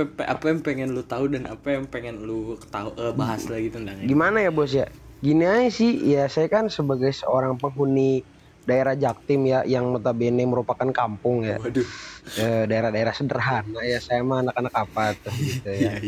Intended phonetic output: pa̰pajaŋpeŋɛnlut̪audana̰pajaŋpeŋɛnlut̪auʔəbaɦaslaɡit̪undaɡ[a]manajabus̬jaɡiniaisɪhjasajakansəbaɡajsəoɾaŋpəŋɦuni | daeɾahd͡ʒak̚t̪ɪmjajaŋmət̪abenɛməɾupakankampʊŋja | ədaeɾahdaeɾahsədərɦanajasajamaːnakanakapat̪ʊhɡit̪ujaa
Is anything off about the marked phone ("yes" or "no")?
yes